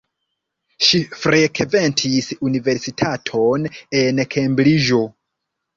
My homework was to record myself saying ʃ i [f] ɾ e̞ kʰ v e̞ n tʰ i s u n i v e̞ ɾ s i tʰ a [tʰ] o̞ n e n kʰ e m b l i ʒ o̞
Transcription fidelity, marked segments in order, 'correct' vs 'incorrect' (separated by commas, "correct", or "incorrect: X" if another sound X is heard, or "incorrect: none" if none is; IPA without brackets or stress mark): correct, correct